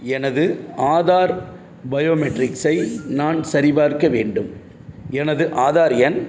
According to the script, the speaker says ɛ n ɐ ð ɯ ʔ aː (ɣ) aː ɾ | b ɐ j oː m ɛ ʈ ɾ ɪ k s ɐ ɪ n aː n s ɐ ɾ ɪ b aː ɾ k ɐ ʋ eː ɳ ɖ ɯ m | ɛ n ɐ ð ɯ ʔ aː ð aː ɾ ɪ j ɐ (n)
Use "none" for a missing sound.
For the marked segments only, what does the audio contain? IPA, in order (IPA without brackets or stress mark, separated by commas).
ð, n